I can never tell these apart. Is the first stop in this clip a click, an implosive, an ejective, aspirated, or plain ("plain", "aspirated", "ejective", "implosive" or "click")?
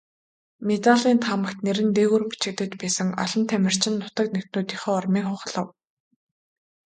plain